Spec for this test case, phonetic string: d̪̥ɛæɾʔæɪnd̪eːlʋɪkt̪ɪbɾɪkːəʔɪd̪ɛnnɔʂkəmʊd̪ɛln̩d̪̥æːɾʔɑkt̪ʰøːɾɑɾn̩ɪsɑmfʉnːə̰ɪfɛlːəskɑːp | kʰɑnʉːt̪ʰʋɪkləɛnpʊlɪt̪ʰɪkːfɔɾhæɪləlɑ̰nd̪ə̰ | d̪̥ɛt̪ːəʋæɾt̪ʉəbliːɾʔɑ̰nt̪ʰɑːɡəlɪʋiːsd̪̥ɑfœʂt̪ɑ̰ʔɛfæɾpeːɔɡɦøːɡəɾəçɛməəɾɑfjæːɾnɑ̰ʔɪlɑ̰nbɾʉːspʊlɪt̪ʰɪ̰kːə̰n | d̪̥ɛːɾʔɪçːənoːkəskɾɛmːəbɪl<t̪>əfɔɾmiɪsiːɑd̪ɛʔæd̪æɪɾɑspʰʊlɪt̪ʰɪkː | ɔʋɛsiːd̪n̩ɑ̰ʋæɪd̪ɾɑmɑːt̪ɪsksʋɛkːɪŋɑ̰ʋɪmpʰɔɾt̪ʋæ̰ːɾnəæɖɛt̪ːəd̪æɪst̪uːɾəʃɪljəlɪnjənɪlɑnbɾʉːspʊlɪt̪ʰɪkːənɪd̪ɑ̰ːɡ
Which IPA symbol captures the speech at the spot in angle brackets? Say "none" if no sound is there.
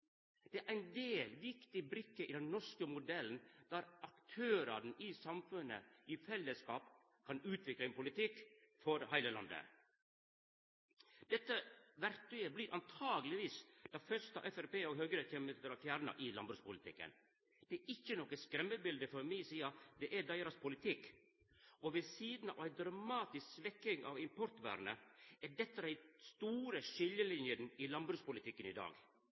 d̪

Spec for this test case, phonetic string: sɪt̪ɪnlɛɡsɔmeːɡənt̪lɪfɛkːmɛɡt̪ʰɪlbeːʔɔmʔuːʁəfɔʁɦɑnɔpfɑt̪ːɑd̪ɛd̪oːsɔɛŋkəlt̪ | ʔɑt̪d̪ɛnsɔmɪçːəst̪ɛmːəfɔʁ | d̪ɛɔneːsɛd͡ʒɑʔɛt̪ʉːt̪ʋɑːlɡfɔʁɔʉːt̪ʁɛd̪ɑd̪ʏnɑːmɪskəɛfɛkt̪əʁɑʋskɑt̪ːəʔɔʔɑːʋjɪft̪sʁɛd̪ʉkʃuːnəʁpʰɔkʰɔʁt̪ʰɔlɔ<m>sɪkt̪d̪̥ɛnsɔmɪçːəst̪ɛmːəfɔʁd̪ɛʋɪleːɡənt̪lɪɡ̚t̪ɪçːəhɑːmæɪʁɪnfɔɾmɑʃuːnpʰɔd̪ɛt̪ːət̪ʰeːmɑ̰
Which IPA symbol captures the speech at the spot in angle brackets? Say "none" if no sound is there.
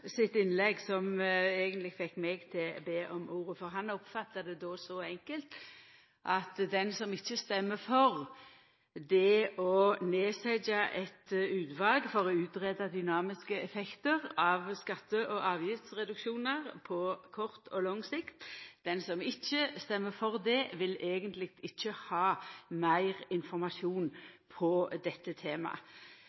ŋ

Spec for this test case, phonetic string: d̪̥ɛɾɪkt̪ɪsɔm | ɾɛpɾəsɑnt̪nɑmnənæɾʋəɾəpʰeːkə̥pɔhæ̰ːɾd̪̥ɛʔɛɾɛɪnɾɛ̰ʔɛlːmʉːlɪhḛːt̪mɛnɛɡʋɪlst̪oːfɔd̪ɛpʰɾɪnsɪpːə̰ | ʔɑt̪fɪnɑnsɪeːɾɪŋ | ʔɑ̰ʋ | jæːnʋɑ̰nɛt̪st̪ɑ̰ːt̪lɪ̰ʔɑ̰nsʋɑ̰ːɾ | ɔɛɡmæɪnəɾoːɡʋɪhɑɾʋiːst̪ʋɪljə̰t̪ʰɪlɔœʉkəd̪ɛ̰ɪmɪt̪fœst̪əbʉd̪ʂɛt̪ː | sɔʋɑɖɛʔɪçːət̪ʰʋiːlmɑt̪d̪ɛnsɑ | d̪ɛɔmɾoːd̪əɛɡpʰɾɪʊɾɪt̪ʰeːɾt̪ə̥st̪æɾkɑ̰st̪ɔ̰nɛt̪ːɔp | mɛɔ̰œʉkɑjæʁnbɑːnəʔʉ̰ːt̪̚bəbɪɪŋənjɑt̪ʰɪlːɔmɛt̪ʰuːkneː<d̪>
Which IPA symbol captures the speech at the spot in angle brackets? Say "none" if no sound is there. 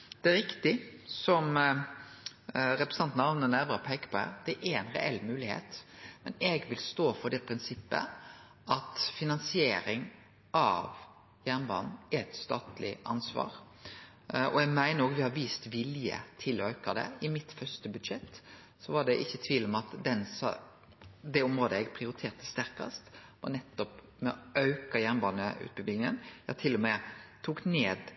d̪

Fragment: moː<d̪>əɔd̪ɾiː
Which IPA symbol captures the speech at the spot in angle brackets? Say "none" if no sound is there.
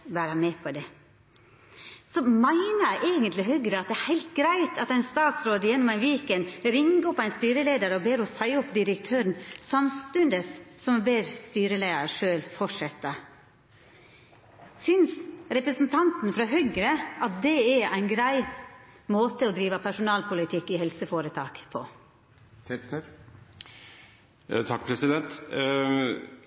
t̪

